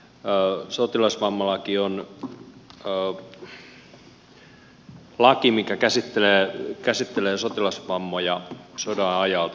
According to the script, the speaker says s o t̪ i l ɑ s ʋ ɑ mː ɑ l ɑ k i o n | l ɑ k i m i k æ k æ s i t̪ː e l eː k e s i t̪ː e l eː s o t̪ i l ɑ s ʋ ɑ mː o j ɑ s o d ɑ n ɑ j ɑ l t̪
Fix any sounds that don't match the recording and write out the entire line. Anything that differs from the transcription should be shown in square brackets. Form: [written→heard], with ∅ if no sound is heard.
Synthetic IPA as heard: s o t̪ i l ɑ s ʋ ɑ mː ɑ l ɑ k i o n | l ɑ k i m i k æ k æ s i t̪ː e l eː k [e→æ] s i t̪ː e l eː s o t̪ i l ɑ s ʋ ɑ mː o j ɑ s o d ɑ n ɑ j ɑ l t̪

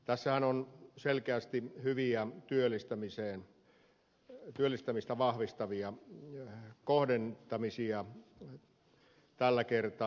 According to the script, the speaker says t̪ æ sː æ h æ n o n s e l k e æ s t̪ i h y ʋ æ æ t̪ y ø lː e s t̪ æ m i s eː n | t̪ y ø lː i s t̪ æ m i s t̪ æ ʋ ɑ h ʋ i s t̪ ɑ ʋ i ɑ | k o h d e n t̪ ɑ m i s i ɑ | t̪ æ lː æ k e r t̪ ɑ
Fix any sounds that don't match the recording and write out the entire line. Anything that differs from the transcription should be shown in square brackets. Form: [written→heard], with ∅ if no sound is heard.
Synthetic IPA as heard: t̪ æ sː æ h æ n o n s e l k e æ s t̪ i h y ʋ [æ→i] æ t̪ y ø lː [e→i] s t̪ æ m i s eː n | t̪ y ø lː i s t̪ æ m i s t̪ æ ʋ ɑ h ʋ i s t̪ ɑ ʋ i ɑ | k o h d e n t̪ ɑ m i s i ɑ | t̪ æ lː æ k e r t̪ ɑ

